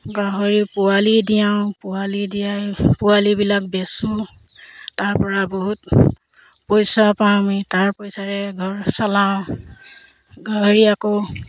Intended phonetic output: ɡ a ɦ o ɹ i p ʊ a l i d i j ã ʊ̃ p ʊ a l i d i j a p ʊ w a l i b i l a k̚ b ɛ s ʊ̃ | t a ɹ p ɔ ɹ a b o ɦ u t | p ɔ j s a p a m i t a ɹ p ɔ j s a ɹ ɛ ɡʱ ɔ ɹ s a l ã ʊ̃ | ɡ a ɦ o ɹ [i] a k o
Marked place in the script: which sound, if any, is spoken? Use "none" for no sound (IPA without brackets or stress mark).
i